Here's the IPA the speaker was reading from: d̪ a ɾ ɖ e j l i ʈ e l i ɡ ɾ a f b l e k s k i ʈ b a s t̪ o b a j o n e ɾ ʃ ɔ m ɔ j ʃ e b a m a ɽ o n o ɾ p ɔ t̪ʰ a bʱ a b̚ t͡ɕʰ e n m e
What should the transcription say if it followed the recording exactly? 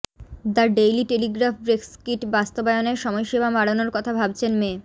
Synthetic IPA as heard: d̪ a ɾ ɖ e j l i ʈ e l i ɡ ɾ a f b ɾ e k s k i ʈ b a s t̪ o b a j o n e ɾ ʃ ɔ m ɔ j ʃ e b a m a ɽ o n o ɾ k ɔ t̪ʰ a bʱ a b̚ t͡ɕʰ e n m e